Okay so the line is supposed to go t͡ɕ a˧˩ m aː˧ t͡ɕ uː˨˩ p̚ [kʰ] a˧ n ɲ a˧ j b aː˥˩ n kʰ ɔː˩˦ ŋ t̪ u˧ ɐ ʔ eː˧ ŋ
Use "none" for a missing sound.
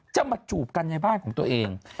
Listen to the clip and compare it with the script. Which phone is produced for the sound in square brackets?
k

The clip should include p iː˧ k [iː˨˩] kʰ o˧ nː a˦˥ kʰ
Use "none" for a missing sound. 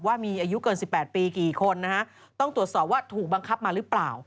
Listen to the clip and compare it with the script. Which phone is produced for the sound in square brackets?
iː˨˩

